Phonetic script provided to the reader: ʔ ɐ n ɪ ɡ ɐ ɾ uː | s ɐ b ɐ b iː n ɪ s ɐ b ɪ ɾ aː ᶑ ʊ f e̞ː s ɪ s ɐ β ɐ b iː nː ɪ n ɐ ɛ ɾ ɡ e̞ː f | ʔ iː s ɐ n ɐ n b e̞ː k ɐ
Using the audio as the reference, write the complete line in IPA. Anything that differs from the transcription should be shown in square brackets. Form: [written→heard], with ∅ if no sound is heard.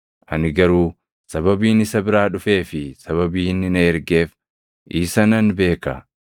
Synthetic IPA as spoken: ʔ ɐ n ɪ ɡ ɐ ɾ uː | s ɐ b ɐ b iː n ɪ s ɐ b ɪ ɾ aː ᶑ ʊ f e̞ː [s→f] ɪ s ɐ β ɐ b iː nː ɪ n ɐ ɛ ɾ ɡ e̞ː f | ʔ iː s ɐ n ɐ n b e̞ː k ɐ